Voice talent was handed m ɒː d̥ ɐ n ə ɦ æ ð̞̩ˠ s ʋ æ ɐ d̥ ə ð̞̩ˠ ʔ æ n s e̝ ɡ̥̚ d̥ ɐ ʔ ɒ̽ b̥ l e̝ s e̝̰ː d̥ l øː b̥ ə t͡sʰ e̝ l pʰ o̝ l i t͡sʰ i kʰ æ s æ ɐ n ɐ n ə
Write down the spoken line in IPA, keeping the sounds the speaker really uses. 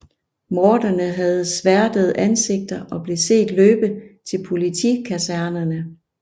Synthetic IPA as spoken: m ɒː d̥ ɐ n ə ɦ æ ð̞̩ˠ s ʋ æ ɐ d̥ ə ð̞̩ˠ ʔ æ n s e̝ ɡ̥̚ d̥ ɐ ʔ ɒ̽ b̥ l e̝ s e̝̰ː d̥ l øː b̥ ə t͡sʰ e̝ l pʰ o̝ l i t͡sʰ i kʰ æ s æ ɐ n ɐ n ə